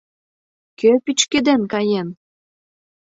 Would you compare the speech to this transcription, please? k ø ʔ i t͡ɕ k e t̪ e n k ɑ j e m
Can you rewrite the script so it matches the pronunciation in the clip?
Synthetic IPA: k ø p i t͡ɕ k e d̪ e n k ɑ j e n

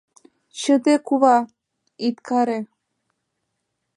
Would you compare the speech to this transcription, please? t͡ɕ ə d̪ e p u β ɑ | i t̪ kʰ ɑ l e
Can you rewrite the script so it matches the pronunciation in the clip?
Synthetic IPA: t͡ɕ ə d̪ e k u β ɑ | i t̪ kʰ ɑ ɾ e

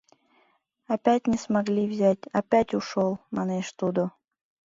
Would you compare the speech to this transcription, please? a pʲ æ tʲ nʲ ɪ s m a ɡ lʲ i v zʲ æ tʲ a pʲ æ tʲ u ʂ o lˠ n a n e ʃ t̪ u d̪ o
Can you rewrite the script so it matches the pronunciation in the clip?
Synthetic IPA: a pʲ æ tʲ nʲ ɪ s m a ɡ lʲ i v zʲ æ tʲ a pʲ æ tʲ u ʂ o lˠ m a n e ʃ t̪ u d̪ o

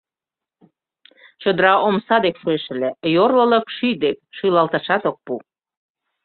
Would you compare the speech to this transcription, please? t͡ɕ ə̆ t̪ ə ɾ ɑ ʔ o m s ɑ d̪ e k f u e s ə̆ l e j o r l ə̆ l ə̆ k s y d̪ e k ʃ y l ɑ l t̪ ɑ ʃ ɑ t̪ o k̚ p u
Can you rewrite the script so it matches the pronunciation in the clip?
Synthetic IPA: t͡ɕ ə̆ d̪ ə ɾ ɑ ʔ o m s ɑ d̪ e k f u e ʃ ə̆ l e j o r l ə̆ l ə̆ k ʃ y d̪ e k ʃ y l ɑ l t̪ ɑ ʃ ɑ t̪ o k̚ p u

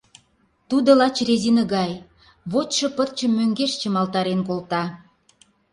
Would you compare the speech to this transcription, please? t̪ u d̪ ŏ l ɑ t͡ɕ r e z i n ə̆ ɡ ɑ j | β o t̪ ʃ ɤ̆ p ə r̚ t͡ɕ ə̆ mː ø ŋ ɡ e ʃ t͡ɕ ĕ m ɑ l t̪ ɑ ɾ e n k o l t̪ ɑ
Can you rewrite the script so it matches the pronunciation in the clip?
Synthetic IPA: t̪ u d̪ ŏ l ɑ t͡ɕ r e z i n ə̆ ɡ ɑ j | β o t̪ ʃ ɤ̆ p ə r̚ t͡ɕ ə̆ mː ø ŋ ɡ e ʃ t͡ɕ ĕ m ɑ l t̪ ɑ ɾ e n k o l t̪ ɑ

